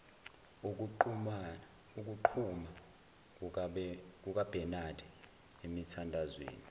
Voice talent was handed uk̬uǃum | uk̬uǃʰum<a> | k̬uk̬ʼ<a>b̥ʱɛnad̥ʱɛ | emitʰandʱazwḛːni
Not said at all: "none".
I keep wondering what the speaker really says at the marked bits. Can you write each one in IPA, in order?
a, a

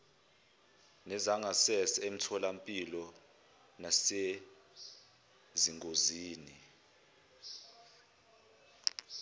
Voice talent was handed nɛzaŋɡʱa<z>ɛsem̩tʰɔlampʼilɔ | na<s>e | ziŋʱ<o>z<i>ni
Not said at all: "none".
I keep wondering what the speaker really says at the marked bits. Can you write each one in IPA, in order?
s, s, o, iː

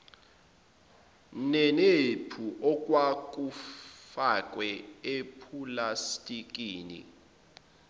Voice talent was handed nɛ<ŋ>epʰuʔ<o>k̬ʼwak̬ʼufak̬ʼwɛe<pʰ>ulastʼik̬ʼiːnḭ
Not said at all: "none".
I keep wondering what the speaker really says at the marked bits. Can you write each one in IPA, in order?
n, ɔ, pʰ

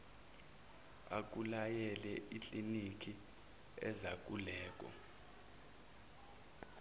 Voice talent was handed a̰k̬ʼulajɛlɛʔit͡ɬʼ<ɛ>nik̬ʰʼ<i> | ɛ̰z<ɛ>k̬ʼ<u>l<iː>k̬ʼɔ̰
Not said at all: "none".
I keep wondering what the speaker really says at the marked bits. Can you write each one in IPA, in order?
i, i, a, u, ɛː

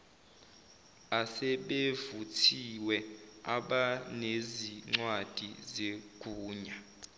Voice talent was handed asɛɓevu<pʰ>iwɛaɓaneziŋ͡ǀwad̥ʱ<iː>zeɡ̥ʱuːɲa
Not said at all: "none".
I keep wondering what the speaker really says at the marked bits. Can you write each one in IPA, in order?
tʰ, i

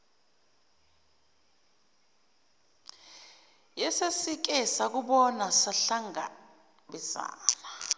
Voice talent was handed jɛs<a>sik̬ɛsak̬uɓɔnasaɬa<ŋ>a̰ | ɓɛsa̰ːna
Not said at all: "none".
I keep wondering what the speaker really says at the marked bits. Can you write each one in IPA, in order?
e, ŋ

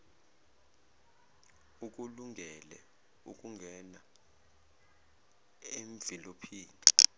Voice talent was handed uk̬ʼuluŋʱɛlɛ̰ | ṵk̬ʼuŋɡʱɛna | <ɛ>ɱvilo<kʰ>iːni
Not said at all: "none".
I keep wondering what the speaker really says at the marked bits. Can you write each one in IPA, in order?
e, pʰ

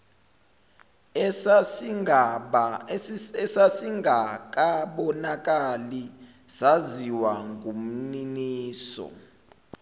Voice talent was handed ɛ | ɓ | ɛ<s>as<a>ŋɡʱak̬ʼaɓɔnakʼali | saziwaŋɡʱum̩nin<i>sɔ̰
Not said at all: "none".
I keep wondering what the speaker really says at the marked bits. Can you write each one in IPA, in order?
s, i, iː

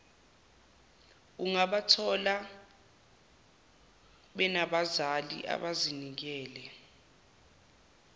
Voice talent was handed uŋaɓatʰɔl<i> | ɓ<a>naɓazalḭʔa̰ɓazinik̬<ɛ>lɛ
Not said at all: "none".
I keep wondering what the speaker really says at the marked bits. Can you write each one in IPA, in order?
a, ɛ, ɛː

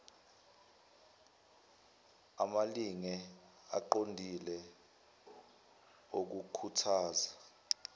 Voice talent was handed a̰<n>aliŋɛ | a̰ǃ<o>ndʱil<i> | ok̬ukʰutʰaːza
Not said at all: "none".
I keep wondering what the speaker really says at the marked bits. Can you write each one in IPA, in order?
m, o, ɛ

